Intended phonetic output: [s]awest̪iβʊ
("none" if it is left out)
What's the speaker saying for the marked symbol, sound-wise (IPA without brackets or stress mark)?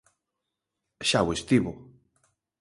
ʃ